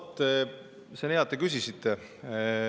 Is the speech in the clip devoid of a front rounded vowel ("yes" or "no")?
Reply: no